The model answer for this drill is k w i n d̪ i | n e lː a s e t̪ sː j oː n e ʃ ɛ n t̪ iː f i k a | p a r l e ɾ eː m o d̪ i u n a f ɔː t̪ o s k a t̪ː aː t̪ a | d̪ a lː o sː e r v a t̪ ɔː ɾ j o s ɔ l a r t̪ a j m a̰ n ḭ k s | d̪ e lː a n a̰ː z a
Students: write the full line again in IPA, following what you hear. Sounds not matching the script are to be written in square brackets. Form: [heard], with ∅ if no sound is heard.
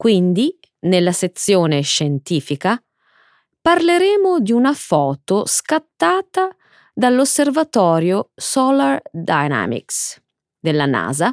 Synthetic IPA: k w i n d̪ i | n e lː a s e t̪ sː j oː n e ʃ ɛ n t̪ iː f i k a | p a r l e ɾ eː m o d̪ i u n a f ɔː t̪ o s k a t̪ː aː t̪ a | d̪ a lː o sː e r v a t̪ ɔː ɾ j o s ɔ l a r [d̪] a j [n] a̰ [m] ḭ k s | d̪ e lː a n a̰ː z a